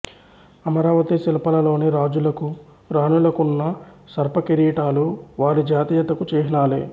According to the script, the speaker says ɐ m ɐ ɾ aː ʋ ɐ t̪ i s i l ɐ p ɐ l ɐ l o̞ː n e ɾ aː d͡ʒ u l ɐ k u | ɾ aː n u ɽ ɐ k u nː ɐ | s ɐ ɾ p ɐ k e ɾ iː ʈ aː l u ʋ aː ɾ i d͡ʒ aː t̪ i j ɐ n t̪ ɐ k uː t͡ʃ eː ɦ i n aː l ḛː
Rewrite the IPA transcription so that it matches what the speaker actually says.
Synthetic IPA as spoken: ɐ m ɐ ɾ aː ʋ ɐ t̪ i s i l ɐ p ɐ l ɐ l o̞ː n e ɾ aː d͡ʒ u l ɐ k u | ɾ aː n u l ɐ k u nː ɐ | s ɐ ɾ p ɐ k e ɾ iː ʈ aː l u ʋ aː ɾ i d͡ʒ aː t̪ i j ɐ t̪ ɐ k u t͡ʃ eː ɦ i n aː l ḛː